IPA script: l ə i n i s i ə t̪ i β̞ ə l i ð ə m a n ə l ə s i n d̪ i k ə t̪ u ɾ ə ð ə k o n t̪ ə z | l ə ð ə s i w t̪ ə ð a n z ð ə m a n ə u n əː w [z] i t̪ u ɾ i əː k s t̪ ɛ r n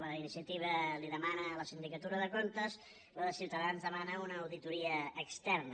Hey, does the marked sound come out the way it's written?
no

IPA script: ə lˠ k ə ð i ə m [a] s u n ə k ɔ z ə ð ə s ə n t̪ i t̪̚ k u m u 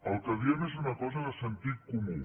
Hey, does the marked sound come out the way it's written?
no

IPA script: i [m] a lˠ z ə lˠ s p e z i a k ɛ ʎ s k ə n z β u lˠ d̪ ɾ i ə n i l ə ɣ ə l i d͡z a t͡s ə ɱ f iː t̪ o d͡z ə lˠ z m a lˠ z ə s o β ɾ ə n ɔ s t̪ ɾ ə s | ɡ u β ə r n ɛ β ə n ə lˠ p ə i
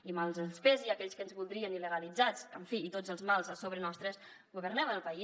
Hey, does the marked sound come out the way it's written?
yes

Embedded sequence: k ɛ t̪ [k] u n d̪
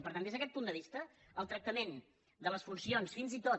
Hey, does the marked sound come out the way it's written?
no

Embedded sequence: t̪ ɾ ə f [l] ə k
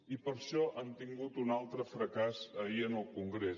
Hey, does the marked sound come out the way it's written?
no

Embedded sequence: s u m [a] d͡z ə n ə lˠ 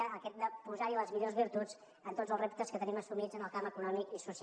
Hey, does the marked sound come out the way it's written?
no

